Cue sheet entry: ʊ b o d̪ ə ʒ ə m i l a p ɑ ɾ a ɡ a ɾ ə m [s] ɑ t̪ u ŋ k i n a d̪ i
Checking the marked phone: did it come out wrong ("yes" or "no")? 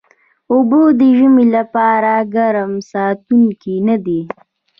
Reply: no